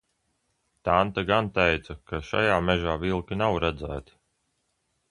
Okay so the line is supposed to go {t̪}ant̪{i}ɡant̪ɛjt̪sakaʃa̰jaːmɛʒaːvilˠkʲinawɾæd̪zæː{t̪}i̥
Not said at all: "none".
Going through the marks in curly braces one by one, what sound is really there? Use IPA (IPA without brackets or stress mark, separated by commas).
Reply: t̪, a, t̪